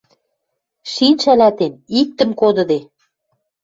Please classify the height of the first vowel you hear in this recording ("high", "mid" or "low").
high